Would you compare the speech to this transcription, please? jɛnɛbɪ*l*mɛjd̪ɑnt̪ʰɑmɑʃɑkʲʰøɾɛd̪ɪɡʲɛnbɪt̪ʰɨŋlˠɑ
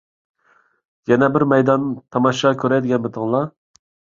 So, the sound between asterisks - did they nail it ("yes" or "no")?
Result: no